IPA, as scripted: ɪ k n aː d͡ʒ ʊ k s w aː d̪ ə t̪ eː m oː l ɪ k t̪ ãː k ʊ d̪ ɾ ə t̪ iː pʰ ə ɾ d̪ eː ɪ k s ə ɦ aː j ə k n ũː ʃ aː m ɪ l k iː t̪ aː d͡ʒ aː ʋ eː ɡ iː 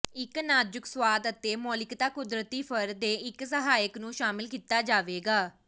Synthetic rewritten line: ɪ k n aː d͡ʒ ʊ k s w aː d̪ ə t̪ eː m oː l ɪ k t̪ aː k ʊ d̪ ɾ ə t̪ iː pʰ ə ɾ d̪ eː ɪ k s ə ɦ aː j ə k n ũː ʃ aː m ɪ l k iː t̪ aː d͡ʒ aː ʋ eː ɡ aː